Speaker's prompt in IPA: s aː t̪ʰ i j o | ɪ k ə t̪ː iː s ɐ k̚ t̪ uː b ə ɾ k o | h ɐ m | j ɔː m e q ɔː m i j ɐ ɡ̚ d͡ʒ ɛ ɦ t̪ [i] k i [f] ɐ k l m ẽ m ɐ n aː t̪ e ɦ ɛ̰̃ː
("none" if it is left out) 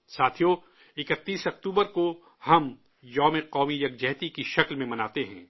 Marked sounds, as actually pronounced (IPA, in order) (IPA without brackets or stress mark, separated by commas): i, ʃ